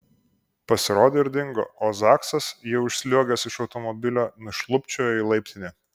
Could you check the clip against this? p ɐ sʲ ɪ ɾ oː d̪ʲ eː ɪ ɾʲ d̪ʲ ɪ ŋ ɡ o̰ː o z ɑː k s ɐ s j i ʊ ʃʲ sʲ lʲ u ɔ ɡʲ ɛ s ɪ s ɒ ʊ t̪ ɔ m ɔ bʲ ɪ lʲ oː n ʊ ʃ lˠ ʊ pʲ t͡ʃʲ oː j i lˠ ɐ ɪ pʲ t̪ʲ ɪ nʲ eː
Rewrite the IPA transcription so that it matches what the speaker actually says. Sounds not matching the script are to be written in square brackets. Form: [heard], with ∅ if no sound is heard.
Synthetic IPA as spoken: p ɐ sʲ ɪ ɾ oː d̪ʲ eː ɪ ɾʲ d̪ʲ ɪ ŋ ɡ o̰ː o z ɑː k s ɐ s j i ʊ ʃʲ sʲ lʲ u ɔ ɡʲ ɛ s ɪ [ʃ] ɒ ʊ t̪ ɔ m ɔ bʲ ɪ lʲ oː n ʊ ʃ lˠ ʊ pʲ t͡ʃʲ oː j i lˠ ɐ ɪ pʲ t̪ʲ ɪ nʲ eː